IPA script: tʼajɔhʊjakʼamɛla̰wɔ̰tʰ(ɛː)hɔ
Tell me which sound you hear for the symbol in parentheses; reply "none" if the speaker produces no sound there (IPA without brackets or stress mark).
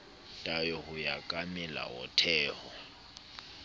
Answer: ɛː